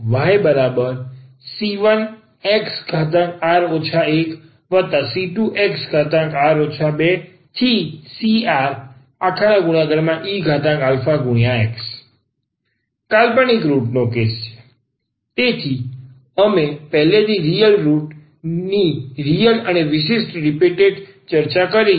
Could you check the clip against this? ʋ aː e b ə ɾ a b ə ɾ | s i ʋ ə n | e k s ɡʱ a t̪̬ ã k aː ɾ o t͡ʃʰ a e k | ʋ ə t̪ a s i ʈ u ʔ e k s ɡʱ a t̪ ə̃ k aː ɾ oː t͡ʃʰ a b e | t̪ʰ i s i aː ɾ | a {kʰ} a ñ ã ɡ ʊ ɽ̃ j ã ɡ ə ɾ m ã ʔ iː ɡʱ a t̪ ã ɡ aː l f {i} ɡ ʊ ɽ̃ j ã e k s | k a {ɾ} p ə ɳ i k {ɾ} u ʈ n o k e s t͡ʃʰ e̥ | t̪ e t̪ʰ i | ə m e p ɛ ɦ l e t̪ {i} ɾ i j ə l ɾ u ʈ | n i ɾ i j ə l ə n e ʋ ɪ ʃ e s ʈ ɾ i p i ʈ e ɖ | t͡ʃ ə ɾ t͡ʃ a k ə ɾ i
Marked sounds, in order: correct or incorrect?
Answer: correct, incorrect, incorrect, correct, correct

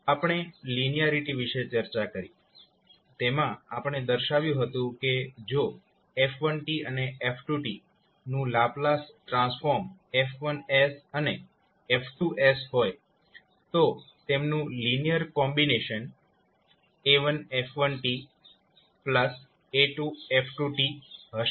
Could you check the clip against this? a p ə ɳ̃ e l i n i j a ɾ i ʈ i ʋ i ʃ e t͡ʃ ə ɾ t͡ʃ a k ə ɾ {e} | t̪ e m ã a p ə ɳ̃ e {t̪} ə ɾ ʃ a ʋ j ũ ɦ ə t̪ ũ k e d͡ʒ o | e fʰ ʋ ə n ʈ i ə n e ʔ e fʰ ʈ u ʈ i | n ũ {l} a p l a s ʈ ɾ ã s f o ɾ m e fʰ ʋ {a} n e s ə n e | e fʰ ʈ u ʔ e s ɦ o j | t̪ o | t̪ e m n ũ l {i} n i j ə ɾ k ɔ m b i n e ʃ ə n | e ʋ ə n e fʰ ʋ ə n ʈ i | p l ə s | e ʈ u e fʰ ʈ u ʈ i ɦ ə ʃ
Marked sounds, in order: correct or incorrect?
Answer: incorrect, incorrect, correct, incorrect, correct

